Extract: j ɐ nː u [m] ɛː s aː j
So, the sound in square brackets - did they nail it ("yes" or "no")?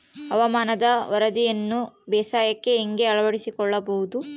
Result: no